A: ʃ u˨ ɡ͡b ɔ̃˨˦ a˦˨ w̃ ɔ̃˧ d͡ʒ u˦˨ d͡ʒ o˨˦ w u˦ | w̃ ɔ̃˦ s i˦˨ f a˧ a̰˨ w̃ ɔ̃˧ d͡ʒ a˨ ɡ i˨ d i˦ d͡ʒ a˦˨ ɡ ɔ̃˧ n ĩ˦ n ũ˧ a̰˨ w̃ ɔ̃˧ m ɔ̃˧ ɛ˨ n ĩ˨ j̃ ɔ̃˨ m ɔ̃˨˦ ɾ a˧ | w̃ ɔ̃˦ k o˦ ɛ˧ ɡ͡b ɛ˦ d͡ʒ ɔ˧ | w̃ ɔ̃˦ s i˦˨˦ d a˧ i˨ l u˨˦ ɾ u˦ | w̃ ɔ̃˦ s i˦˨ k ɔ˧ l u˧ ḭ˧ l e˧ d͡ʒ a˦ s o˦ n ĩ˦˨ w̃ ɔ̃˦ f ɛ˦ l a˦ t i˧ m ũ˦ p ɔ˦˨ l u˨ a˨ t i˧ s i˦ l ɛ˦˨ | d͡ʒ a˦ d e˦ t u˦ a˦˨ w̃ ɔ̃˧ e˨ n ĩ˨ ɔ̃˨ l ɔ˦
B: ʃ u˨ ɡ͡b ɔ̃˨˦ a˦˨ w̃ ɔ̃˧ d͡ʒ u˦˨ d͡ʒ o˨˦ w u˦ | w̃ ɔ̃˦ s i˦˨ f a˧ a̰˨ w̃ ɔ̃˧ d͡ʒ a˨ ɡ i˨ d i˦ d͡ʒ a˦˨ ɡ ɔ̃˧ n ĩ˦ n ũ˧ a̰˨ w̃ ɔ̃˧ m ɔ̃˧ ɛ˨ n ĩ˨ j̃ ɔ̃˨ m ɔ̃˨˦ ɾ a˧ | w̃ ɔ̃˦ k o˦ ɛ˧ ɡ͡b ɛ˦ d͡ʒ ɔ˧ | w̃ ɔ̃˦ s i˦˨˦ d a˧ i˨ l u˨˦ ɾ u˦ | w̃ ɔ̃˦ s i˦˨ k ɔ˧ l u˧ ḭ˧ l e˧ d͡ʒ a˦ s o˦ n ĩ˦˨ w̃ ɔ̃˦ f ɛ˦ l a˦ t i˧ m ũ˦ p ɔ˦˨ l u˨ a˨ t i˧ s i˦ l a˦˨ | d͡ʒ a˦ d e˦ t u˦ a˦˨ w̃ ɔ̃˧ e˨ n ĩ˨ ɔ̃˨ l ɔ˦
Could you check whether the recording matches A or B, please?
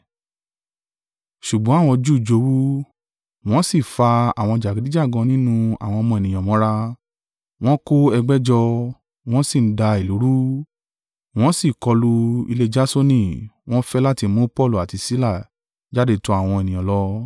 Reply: B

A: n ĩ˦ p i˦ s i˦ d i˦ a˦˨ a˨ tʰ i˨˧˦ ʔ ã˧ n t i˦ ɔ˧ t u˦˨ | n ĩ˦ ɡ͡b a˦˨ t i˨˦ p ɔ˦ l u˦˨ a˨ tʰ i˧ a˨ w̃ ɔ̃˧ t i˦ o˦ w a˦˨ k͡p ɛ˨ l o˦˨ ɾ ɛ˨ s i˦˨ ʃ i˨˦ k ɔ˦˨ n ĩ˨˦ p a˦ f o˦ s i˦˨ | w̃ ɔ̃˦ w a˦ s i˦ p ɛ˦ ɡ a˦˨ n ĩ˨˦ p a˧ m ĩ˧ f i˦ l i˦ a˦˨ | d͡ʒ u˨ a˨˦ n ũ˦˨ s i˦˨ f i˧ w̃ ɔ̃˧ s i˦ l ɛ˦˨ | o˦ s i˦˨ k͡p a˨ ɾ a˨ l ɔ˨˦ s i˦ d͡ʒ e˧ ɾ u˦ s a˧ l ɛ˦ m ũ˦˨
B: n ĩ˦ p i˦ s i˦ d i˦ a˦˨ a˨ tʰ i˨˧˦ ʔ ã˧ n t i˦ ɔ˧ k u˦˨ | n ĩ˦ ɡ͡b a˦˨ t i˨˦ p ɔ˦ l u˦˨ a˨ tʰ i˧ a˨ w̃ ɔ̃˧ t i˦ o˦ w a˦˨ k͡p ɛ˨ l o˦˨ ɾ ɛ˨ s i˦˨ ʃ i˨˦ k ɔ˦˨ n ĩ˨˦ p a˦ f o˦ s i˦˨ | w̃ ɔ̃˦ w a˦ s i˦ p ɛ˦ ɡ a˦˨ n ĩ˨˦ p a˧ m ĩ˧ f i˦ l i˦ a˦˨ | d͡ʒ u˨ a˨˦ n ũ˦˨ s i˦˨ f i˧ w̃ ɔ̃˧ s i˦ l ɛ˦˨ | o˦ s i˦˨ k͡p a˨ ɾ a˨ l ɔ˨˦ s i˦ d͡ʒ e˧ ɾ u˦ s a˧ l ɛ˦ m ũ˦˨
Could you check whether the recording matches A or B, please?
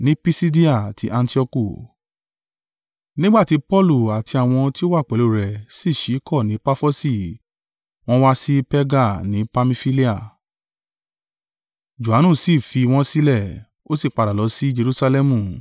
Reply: B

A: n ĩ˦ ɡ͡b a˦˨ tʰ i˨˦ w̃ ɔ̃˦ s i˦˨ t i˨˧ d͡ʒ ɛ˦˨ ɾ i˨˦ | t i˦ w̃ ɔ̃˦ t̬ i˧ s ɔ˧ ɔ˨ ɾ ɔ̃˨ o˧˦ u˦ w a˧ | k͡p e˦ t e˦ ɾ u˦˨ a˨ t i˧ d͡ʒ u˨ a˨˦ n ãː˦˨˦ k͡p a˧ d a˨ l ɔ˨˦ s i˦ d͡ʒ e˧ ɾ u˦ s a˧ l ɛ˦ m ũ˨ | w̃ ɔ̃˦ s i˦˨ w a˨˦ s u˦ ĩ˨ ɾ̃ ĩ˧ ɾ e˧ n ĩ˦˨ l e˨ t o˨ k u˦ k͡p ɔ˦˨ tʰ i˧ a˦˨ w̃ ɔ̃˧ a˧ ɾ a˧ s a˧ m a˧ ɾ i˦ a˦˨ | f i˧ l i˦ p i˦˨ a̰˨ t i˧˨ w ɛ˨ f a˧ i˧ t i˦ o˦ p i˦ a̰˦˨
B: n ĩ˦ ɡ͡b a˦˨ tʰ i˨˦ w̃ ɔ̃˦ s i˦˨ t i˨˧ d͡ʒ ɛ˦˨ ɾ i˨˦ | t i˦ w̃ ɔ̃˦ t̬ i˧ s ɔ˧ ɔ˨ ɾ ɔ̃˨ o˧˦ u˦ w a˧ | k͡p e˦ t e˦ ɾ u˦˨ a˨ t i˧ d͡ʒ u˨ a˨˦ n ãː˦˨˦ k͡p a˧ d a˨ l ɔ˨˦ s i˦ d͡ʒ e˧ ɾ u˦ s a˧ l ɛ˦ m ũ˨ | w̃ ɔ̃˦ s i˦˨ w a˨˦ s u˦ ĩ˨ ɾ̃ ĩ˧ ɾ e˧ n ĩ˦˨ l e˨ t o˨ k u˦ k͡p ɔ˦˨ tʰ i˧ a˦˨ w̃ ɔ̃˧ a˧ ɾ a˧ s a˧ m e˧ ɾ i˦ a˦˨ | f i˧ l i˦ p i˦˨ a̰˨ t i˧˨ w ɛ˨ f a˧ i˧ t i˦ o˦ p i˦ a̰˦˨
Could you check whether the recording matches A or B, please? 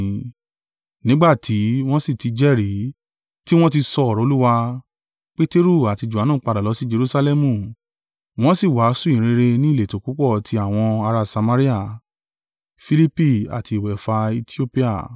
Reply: A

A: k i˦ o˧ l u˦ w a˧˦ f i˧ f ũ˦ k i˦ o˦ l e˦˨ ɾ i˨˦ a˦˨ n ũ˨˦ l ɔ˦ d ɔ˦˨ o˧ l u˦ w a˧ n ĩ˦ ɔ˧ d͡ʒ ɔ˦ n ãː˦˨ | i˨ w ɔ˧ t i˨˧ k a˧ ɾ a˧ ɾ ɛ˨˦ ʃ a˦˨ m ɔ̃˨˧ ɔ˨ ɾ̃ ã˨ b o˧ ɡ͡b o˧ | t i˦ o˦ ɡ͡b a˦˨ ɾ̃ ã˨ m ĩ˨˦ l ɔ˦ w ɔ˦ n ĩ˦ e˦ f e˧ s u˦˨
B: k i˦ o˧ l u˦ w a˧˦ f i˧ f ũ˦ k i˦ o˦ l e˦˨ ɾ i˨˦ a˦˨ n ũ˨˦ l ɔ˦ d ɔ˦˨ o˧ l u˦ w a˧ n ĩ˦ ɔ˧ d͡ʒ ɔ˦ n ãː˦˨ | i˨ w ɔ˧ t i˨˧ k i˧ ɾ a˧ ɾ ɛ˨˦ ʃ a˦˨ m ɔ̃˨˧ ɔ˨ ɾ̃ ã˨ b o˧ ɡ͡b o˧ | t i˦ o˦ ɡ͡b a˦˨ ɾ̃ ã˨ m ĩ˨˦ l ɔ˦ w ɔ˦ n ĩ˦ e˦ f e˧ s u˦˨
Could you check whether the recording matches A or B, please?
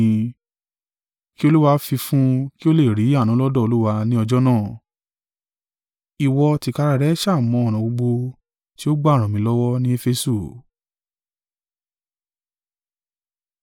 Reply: A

